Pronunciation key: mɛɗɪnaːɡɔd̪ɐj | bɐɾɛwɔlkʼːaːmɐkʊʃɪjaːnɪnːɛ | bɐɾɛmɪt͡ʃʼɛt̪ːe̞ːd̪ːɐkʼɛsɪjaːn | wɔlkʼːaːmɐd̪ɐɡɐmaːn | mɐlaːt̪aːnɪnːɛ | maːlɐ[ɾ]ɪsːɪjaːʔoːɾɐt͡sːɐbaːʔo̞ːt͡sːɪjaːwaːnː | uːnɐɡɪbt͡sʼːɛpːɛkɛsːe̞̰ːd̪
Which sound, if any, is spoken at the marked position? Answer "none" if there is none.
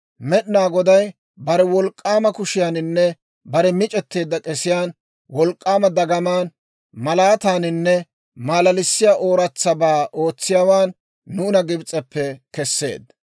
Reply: l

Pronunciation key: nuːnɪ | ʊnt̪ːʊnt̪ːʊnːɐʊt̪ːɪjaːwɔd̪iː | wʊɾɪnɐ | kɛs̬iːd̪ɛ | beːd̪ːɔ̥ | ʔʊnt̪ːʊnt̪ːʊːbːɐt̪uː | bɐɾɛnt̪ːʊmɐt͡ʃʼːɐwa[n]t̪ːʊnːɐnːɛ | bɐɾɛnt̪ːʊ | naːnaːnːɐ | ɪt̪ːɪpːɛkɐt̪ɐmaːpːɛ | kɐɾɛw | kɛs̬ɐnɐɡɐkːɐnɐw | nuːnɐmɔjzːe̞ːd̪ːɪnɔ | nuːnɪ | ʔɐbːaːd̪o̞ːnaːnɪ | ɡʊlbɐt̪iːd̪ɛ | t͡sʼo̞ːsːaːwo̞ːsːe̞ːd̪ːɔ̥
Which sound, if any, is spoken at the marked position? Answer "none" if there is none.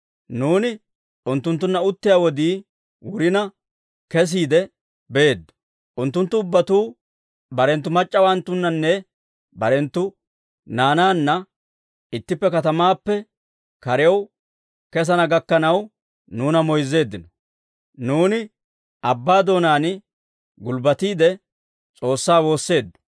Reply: n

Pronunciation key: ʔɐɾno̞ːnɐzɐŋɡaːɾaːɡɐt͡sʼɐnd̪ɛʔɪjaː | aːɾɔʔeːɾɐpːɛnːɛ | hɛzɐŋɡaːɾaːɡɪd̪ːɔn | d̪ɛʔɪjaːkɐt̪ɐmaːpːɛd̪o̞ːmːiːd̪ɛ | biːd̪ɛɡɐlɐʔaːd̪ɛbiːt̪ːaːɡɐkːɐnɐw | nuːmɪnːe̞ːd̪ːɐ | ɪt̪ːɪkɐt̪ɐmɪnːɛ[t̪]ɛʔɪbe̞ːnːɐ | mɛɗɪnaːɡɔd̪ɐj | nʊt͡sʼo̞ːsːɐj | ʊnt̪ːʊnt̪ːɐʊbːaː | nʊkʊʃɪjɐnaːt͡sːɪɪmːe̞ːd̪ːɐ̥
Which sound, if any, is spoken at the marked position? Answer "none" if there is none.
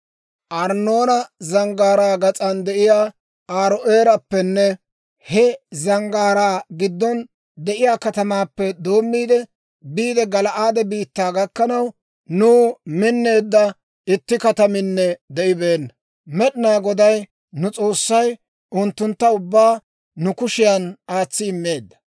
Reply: d̪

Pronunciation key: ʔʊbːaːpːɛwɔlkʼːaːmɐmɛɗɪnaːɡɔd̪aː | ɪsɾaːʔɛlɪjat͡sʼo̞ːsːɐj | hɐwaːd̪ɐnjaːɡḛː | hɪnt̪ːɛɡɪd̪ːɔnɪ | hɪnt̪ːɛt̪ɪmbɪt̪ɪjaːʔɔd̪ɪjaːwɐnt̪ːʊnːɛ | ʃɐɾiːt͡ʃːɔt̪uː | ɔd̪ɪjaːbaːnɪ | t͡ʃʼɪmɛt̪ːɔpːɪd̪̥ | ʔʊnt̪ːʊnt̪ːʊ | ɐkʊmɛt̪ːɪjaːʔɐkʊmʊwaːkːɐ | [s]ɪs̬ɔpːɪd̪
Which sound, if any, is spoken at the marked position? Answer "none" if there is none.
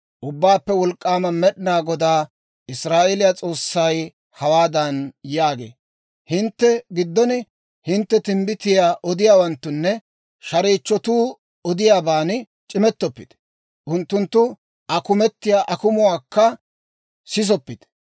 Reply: s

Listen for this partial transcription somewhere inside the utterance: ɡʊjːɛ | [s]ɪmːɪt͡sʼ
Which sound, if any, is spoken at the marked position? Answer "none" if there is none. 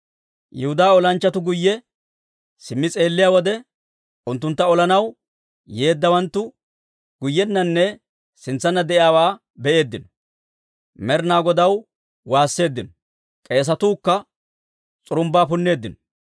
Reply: s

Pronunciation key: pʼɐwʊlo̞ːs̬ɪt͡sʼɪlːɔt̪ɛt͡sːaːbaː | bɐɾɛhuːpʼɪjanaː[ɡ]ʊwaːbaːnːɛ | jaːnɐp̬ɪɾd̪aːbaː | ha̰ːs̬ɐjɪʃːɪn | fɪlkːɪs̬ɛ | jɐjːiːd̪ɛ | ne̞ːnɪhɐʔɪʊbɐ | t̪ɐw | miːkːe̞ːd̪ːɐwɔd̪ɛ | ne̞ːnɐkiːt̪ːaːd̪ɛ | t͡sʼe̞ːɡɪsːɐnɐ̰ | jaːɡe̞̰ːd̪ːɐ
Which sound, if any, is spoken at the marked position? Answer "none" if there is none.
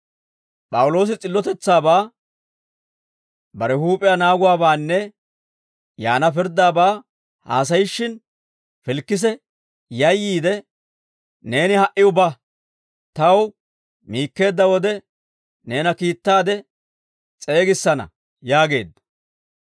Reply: ɡ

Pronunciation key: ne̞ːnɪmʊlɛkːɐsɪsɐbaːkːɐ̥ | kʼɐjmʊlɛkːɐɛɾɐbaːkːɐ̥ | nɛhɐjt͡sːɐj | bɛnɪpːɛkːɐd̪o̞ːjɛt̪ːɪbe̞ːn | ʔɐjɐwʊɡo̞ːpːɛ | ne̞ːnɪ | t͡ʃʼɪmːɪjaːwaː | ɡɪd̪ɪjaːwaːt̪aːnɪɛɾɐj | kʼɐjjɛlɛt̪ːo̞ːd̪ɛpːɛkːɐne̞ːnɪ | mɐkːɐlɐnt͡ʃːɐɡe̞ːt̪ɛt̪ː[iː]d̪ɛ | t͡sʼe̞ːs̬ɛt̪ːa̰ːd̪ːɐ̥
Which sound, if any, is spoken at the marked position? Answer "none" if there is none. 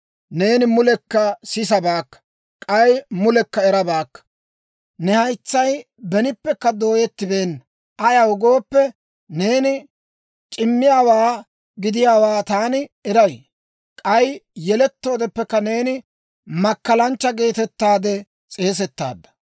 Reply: aː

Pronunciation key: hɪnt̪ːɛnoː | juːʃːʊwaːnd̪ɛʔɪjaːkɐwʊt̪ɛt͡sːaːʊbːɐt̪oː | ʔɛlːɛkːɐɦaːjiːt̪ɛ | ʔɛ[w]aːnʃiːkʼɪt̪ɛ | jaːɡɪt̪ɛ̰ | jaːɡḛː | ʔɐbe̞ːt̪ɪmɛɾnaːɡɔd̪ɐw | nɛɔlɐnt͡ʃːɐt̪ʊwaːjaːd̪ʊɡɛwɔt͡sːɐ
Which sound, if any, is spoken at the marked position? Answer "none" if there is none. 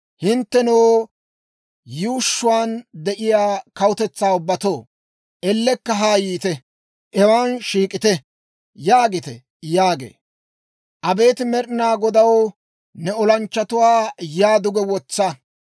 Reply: w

